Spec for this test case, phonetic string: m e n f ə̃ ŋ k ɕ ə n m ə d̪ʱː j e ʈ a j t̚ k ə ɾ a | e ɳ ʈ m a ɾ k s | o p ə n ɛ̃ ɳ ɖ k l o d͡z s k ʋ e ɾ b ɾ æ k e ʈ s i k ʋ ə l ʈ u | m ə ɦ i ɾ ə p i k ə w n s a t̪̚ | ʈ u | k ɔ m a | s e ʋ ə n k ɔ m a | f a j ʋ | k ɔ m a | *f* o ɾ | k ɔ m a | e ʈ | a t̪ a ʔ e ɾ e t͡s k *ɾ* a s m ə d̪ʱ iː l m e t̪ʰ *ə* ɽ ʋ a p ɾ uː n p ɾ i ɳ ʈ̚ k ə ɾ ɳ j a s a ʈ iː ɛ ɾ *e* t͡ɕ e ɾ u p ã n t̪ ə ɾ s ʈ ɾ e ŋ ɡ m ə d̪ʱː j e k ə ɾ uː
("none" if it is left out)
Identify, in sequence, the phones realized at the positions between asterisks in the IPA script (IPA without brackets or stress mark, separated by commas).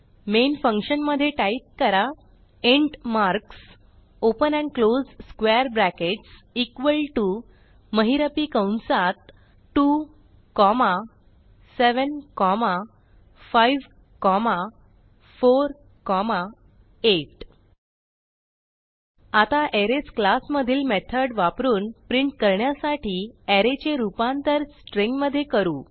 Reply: f, l, ə, e